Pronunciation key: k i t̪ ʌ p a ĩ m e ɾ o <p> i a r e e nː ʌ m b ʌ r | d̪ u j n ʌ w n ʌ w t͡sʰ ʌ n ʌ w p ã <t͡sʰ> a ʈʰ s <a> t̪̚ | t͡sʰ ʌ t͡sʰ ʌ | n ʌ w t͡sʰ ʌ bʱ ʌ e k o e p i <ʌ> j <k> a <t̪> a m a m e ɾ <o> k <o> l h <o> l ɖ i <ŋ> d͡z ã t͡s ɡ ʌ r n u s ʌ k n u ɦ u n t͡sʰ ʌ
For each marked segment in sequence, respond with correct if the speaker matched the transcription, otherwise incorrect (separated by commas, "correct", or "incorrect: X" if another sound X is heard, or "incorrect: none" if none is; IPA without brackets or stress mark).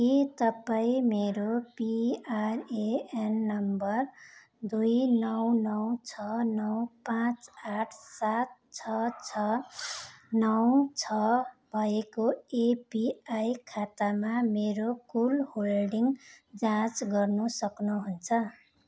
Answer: correct, incorrect: t͡s, correct, incorrect: a, incorrect: kʰ, correct, correct, incorrect: u, correct, correct